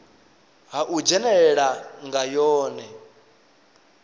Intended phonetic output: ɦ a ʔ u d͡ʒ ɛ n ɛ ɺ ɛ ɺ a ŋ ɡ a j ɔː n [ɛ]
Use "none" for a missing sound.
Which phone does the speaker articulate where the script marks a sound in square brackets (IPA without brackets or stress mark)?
ɛ